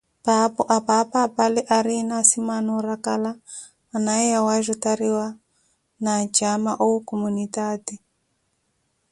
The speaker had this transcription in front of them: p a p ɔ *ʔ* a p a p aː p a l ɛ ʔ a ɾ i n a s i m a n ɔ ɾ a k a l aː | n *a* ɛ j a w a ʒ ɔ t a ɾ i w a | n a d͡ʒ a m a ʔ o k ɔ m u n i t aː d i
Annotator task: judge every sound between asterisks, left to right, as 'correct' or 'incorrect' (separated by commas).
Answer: correct, correct